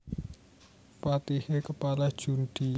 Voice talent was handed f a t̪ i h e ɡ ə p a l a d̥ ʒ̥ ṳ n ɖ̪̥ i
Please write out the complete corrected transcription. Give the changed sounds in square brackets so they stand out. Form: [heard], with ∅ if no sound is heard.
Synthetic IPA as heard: f a t̪ i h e [k] ə p a l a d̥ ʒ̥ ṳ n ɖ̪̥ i